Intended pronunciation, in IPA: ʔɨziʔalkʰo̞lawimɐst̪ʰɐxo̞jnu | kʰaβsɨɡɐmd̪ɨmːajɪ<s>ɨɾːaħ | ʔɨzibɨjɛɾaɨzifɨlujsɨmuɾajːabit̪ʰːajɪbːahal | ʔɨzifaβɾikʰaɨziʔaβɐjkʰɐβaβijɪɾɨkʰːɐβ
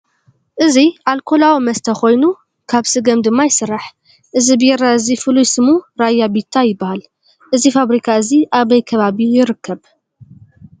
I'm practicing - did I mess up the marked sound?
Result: no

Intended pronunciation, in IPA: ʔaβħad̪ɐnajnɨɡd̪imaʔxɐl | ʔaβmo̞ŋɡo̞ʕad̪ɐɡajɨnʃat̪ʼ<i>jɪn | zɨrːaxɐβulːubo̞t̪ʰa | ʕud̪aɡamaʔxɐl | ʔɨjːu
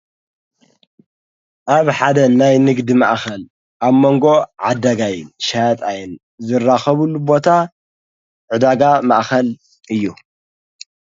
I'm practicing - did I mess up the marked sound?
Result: yes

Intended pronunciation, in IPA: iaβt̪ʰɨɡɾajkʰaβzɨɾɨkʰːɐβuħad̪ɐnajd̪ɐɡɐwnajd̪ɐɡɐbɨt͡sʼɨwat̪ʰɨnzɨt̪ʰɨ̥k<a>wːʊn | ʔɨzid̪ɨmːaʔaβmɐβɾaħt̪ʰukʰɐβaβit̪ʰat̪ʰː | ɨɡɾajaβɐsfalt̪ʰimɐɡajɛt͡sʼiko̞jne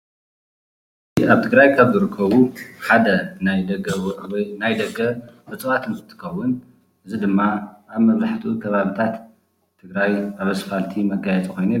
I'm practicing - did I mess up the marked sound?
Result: yes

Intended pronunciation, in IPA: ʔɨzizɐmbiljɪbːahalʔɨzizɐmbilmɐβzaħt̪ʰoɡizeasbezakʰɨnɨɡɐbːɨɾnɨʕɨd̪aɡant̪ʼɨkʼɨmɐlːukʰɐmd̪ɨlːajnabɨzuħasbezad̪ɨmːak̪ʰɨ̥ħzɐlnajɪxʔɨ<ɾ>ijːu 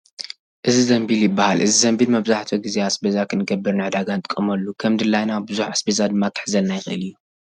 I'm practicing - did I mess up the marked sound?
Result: yes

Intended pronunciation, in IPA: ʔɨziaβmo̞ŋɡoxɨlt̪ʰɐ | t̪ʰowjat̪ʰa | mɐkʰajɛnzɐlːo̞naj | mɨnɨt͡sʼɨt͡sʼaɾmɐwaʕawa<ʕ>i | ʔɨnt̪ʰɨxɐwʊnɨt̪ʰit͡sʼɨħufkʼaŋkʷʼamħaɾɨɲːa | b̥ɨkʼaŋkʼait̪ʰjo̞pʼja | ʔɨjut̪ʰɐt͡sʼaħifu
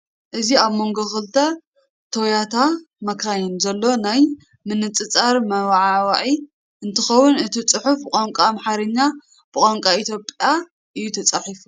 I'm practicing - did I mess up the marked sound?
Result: no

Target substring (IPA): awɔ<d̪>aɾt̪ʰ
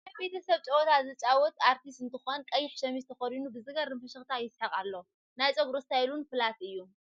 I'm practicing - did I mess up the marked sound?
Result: yes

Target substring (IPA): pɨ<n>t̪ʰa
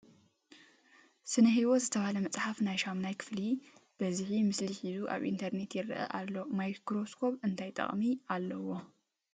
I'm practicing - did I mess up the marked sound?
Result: no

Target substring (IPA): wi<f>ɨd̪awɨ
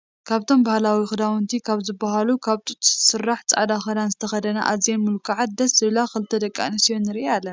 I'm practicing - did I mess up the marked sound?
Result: yes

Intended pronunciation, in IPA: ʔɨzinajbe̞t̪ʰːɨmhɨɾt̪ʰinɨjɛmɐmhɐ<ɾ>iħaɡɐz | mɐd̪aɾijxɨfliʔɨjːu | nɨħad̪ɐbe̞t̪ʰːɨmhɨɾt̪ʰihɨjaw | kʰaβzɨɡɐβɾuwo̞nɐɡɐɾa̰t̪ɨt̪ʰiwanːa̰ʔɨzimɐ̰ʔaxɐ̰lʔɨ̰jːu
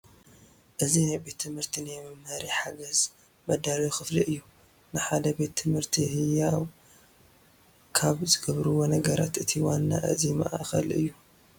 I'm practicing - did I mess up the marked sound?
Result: no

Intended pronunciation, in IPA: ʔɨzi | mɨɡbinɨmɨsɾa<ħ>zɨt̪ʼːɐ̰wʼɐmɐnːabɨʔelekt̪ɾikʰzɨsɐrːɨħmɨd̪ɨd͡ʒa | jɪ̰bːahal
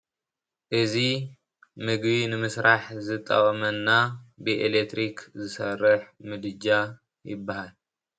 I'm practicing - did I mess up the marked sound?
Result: no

